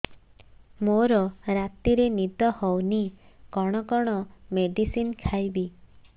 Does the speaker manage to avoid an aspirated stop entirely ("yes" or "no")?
no